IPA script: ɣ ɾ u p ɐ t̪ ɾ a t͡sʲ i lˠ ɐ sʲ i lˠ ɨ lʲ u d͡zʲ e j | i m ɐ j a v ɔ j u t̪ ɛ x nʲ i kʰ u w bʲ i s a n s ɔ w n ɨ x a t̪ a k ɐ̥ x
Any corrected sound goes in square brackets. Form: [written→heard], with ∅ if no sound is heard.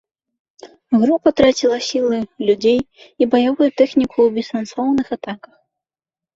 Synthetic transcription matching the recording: ɣ ɾ u p ɐ t̪ ɾ a t͡sʲ i lˠ ɐ sʲ i lˠ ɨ lʲ u d͡zʲ e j | i [m→b] ɐ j a v [ɔ→u] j u t̪ ɛ x nʲ i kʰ u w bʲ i s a n s ɔ w n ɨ x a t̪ a k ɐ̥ x